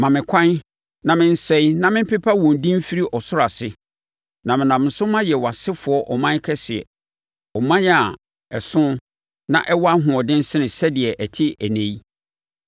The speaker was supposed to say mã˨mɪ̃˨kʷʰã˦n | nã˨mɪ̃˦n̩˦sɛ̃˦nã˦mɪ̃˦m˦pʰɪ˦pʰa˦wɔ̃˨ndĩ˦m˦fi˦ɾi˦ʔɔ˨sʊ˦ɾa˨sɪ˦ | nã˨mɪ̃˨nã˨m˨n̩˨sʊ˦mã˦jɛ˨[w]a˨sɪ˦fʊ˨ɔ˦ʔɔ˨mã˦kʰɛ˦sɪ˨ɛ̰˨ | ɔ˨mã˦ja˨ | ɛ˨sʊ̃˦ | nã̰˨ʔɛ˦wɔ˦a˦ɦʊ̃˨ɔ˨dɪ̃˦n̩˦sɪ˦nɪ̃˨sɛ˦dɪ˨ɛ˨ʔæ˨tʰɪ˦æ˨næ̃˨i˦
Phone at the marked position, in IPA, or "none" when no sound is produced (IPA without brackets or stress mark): w